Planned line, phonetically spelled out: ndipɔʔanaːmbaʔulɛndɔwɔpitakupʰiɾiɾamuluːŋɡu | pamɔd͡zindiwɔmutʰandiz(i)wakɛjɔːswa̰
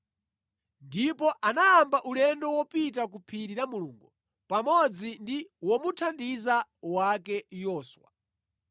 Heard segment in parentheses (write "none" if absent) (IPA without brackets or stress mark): a